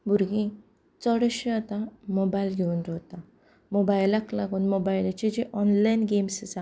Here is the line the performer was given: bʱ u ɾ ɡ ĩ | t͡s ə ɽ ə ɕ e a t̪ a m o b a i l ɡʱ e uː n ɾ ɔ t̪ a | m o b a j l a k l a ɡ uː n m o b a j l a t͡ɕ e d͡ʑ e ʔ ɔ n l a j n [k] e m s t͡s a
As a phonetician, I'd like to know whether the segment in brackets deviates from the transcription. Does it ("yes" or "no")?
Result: yes